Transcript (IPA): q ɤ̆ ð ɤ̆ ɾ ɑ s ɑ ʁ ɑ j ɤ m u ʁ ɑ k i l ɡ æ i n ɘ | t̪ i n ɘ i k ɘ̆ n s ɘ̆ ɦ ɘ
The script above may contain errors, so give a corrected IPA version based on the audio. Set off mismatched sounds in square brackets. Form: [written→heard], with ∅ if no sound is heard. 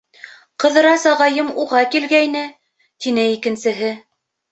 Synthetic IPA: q ɤ̆ ð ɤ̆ ɾ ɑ s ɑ ʁ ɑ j ɤ m u ʁ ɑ k i l ɡ æ [i→j] n ɘ | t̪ i n ɘ i k ɘ̆ n s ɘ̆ ɦ ɘ